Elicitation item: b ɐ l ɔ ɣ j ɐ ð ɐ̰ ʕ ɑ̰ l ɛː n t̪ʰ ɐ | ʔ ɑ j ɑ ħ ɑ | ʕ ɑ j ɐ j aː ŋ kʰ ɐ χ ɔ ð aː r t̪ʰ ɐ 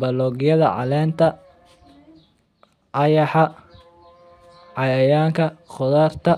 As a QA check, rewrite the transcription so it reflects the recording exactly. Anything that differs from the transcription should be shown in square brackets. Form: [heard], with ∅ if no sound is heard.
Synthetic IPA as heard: b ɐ l ɔ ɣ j ɐ ð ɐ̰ ʕ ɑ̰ l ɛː n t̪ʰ ɐ | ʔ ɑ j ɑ ħ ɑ | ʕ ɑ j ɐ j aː ŋ kʰ ɐ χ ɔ ð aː r t̪ʰ ɐ